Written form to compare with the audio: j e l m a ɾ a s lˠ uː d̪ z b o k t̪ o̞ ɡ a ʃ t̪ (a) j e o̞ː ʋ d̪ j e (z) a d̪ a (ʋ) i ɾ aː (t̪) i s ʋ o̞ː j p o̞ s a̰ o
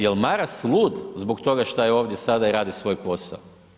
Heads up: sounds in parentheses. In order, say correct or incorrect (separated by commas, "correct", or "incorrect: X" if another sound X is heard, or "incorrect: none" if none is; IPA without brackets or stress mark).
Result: correct, incorrect: s, incorrect: none, incorrect: d̪